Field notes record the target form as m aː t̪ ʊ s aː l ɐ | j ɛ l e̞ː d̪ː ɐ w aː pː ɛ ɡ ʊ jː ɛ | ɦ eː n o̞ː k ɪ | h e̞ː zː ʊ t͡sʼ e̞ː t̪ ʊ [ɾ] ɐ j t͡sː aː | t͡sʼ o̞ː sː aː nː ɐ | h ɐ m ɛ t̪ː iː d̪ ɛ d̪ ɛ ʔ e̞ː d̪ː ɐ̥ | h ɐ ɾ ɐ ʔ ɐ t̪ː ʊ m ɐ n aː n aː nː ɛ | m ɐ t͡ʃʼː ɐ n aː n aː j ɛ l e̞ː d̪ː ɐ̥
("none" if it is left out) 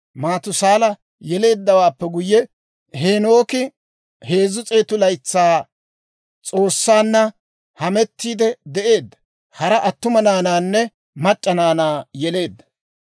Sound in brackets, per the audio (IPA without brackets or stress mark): l